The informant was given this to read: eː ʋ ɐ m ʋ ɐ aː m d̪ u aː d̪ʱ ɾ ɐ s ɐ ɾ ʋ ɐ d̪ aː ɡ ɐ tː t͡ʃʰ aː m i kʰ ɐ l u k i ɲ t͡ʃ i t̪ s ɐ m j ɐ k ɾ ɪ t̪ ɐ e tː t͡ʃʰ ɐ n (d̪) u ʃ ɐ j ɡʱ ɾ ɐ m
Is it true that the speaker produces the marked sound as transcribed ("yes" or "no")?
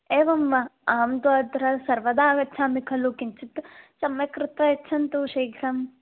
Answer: no